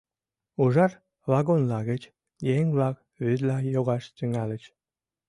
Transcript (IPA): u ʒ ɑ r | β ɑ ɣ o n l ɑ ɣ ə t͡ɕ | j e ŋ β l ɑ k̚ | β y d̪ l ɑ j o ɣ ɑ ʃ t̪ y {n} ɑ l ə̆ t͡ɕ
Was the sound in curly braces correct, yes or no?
no